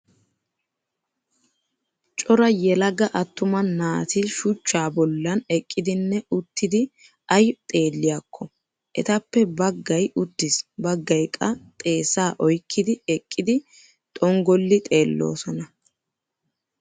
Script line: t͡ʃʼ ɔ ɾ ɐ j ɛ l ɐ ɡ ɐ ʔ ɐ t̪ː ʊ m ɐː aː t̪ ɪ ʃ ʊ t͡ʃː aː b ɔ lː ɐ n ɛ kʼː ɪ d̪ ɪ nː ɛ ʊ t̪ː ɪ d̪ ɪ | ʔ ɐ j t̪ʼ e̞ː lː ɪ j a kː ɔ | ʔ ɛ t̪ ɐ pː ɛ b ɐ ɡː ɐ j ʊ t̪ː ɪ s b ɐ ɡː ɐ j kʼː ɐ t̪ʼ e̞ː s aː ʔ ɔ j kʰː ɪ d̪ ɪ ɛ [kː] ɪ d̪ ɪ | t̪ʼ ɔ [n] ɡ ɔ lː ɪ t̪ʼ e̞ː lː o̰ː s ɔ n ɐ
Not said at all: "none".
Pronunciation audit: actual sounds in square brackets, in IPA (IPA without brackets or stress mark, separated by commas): kʼː, ŋ